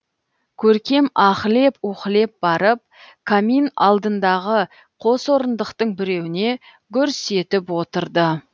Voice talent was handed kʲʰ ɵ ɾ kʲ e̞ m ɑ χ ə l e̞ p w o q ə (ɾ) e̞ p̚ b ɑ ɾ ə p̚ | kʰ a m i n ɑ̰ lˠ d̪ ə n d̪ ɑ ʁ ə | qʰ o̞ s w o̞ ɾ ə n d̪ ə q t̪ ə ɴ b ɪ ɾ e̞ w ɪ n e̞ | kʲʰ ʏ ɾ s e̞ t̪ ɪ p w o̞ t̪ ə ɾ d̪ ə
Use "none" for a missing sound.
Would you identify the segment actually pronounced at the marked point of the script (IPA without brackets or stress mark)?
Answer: l